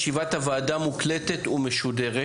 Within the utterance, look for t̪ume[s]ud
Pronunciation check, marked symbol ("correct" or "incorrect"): incorrect